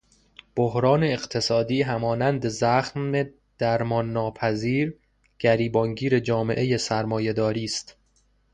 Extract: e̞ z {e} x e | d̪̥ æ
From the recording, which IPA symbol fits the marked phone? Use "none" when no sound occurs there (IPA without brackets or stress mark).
æ